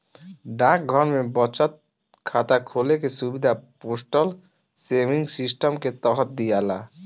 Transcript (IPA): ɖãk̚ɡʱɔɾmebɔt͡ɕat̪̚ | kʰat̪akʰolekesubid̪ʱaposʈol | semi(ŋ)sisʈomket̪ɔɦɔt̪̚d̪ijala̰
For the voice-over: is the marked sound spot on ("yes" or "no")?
yes